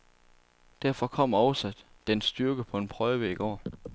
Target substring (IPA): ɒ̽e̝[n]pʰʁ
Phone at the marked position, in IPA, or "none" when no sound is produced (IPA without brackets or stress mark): n